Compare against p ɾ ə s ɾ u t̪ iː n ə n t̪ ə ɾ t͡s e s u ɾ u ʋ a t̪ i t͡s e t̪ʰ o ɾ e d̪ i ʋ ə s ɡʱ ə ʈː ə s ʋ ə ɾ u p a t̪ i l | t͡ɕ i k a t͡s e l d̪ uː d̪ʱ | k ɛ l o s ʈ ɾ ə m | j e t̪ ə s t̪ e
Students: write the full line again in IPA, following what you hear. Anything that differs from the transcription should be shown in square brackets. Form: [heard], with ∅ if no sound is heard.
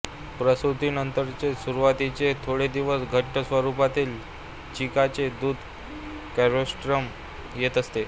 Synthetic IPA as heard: p ɾ ə s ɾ u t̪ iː n ə n t̪ ə ɾ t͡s e s u ɾ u ʋ a t̪ i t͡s e t̪ʰ o [ɽ] e d̪ i ʋ ə s ɡʱ ə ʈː ə s ʋ ə ɾ u p a t̪ [iː] l | t͡ɕ i k a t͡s e [∅] d̪ uː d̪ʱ | k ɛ [ɾ] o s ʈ ɾ ə m | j e t̪ ə s t̪ e